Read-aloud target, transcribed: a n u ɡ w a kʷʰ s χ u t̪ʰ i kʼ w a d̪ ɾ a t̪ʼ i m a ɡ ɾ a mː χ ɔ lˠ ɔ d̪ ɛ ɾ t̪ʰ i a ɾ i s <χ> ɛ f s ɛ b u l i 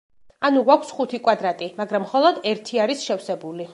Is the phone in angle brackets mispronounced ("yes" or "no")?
yes